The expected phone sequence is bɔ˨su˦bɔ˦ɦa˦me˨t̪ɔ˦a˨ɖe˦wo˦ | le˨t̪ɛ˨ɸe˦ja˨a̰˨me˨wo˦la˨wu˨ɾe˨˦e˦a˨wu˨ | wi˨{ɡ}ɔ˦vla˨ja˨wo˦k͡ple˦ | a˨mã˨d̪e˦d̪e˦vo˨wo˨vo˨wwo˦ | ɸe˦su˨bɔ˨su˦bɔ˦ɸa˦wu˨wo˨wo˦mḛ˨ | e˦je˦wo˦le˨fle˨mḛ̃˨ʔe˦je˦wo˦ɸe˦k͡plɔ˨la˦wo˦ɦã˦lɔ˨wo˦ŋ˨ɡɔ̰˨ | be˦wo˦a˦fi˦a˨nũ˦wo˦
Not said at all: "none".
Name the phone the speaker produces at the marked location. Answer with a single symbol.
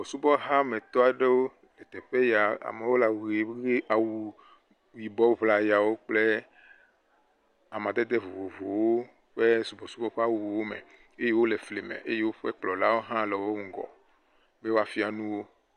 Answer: b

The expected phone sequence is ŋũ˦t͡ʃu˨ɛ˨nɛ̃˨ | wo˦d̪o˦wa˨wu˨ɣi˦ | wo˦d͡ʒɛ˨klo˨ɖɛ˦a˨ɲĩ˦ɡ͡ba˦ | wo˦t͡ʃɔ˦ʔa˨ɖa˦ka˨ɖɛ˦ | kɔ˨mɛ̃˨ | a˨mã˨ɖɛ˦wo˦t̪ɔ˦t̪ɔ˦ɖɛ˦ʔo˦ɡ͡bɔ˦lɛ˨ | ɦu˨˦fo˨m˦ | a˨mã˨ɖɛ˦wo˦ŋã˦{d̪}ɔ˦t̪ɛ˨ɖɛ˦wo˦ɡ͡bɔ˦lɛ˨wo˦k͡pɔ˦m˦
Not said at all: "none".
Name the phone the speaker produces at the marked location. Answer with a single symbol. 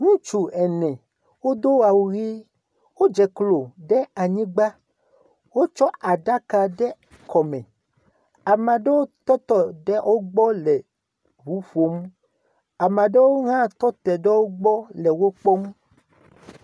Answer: t̪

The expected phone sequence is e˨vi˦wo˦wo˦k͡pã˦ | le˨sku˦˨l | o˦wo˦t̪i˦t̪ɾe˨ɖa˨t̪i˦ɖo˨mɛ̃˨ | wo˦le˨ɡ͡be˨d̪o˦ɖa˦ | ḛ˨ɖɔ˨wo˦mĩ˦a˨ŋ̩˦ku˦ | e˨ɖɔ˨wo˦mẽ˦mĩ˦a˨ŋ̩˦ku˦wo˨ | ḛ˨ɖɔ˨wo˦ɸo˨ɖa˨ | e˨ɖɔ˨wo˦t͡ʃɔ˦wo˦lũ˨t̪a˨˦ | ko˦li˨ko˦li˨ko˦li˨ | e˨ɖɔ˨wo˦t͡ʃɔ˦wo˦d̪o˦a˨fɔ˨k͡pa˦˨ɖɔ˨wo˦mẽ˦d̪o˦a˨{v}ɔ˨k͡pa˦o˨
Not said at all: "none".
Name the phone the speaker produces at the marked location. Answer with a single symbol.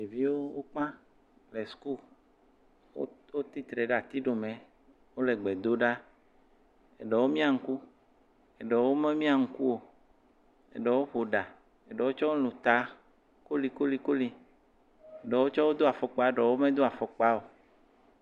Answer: f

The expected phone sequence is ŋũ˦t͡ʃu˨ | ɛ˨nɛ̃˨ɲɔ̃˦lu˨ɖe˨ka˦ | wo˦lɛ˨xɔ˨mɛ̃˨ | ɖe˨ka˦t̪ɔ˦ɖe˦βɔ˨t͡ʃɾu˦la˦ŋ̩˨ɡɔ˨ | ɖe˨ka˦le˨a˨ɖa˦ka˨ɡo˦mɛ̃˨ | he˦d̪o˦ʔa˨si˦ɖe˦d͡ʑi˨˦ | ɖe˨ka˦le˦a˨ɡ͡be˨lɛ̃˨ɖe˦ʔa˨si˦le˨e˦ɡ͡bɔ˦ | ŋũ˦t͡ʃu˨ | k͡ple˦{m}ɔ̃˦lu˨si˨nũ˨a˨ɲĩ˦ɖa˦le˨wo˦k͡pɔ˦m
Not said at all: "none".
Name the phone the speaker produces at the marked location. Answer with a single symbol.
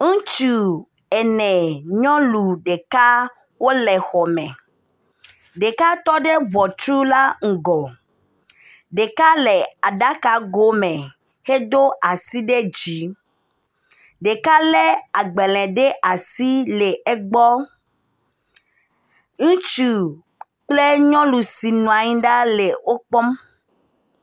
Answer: ɲ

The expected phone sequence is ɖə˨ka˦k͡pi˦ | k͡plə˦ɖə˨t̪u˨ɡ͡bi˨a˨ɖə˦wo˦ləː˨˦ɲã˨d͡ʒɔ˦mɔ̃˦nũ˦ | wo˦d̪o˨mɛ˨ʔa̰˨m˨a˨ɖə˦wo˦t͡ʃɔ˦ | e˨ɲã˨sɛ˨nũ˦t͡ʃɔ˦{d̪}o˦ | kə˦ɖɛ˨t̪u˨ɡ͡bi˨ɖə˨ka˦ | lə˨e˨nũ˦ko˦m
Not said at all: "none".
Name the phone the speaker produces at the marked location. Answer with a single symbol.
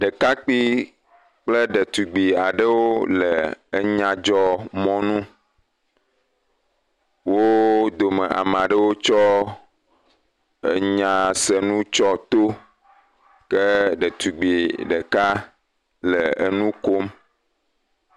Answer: t̪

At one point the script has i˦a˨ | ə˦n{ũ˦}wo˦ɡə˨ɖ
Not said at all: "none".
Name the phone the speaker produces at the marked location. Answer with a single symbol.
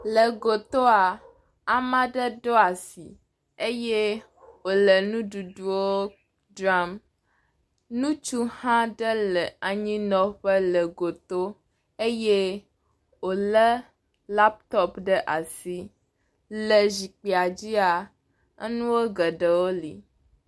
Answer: ũ˦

